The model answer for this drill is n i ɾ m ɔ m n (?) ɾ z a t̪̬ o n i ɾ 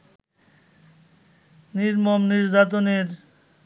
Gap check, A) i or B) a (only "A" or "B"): A